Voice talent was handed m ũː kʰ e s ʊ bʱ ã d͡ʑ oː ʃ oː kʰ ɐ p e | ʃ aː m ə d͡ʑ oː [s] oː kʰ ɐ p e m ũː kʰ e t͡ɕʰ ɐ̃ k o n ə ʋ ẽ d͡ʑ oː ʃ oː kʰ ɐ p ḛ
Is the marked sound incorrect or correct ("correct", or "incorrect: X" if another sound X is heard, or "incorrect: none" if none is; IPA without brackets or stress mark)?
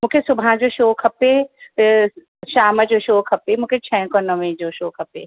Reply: incorrect: ʃ